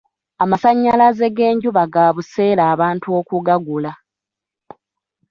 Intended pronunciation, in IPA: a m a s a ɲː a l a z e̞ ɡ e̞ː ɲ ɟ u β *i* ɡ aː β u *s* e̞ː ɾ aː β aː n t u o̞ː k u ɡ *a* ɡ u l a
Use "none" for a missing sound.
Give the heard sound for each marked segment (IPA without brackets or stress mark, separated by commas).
a, s, a